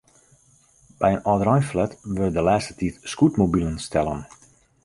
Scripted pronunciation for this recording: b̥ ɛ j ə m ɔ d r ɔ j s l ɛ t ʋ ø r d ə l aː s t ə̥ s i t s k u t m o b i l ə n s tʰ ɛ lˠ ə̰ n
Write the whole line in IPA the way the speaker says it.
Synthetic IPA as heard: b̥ ɛ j ə n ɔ d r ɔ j f l ɛ t ʋ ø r d ə l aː s t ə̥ t i t s k u t m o b i l ə n s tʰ ɛ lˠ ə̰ n